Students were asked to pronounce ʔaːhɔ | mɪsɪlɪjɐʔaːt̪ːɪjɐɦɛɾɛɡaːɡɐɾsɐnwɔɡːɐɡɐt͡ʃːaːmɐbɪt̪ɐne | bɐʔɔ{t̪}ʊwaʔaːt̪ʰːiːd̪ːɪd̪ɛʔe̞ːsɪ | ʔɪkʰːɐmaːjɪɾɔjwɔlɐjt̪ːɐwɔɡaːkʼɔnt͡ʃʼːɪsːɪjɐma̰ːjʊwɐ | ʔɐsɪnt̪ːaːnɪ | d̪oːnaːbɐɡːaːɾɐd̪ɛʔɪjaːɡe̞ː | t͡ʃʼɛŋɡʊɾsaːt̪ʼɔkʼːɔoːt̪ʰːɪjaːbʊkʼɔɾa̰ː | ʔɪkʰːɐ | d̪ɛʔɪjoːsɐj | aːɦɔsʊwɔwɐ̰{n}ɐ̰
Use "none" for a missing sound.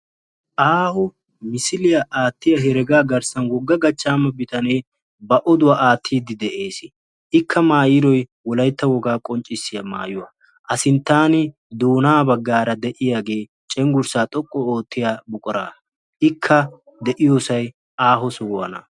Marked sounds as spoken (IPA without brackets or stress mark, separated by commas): d̪, n